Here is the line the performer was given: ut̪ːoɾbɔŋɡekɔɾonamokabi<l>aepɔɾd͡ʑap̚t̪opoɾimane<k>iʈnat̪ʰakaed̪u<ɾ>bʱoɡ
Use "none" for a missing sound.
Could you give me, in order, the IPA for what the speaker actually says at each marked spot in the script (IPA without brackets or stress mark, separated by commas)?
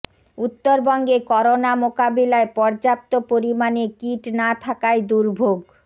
l, k, ɾ